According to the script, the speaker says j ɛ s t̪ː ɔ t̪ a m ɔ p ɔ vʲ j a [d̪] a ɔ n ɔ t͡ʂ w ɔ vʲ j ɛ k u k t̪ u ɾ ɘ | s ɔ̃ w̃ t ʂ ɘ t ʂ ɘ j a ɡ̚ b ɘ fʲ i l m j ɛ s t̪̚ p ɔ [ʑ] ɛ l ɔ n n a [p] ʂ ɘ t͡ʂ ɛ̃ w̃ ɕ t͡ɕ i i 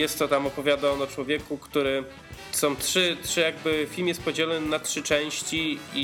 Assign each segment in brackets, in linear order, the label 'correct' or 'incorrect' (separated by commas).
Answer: correct, incorrect, incorrect